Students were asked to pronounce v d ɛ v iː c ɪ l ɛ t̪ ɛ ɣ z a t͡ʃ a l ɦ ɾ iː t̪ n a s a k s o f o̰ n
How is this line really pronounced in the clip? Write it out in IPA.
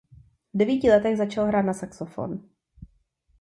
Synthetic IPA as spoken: v d ɛ v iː c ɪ l ɛ t̪ ɛ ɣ z a t͡ʃ a l ɦ ɾ aː t̪ n a s a k s o f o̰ n